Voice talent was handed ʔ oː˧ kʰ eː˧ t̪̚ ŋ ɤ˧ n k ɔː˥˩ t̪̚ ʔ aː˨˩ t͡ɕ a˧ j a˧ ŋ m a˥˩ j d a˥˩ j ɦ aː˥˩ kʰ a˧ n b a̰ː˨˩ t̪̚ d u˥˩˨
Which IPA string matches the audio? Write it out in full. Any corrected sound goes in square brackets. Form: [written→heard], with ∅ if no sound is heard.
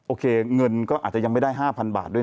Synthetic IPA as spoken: ʔ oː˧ kʰ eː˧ [t̪̚→∅] ŋ ɤ˧ n k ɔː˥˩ [t̪̚→∅] ʔ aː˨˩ t͡ɕ [a˧→a˨˩] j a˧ ŋ m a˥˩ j d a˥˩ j ɦ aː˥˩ [kʰ→pʰ] a˧ n b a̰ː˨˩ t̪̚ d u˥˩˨